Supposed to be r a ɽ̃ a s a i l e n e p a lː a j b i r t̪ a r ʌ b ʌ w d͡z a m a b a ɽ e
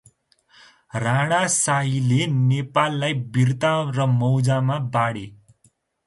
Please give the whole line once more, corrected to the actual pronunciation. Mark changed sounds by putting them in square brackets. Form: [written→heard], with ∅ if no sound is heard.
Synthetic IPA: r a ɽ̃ a s a i l e n e p a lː a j b i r t̪ a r ʌ [b→m] ʌ w d͡z a m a b a ɽ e